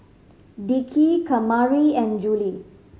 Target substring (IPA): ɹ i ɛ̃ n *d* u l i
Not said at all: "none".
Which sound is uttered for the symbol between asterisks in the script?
d͡ʒ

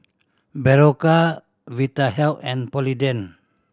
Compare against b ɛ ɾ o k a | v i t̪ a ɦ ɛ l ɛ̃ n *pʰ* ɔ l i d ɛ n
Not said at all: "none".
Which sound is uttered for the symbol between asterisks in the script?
p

